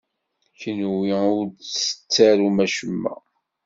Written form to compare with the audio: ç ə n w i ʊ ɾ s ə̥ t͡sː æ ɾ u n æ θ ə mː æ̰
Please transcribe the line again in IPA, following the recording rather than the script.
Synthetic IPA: ç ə n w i ʊ ɾ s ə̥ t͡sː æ ɾ u m æ ʃ ə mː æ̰

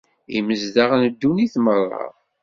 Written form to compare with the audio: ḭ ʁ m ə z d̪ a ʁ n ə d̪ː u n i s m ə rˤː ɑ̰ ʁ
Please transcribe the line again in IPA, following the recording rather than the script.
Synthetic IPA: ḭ m ə z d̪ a ʁ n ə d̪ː u n i θ m ə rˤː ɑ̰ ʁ

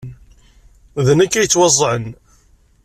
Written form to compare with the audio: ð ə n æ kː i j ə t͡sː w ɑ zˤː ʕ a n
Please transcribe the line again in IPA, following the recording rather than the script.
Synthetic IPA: ð ə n æ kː æ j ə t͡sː w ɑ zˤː ʕ ə n

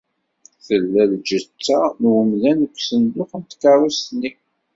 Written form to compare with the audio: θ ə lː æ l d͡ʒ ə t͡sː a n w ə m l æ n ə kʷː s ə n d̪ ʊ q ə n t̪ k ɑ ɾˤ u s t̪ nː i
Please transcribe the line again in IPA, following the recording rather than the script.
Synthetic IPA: θ ə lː æ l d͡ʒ ə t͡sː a n w ə m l æ n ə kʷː s ə n d̪ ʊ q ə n t̪ k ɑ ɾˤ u s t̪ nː i

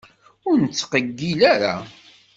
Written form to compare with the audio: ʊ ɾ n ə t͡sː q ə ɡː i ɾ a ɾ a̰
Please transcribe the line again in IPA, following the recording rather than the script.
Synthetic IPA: ʊ ɾ n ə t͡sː q ə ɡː i l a ɾ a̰

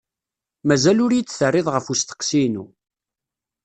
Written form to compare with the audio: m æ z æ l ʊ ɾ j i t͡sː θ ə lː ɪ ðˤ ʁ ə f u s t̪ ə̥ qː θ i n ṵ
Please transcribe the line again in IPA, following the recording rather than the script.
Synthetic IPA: m æ z æ l ʊ ɾ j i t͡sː θ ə rː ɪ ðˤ ʁ ə f u s t̪ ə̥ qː s i n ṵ

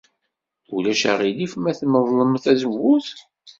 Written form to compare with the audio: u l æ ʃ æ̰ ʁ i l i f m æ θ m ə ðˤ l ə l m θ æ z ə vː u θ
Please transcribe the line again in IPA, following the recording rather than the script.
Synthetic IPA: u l æ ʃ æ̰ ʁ i l i f m æ θ m ə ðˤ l ə m θ æ z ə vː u θ

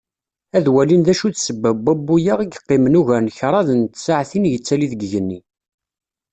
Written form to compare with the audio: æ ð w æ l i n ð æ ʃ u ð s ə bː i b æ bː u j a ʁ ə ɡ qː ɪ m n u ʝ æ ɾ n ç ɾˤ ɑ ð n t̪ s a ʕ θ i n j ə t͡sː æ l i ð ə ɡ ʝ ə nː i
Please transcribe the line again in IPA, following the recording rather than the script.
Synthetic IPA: æ ð w æ l i n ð æ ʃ u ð s ə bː æ b æ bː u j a ʁ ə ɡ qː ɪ m n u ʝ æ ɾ n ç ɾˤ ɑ ð n t̪ s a ʕ θ i n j ə t͡sː æ l i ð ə ɡ ʝ ə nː i

